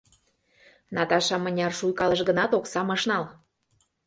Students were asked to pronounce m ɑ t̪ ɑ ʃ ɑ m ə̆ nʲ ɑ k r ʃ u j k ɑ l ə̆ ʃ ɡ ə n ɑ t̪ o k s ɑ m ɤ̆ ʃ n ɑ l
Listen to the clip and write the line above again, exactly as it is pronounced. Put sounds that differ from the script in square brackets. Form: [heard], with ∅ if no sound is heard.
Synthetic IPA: [n] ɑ t̪ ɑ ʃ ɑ m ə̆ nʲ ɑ [∅] r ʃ u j k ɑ l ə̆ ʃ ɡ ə n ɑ t̪ o k s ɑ m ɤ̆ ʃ n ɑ l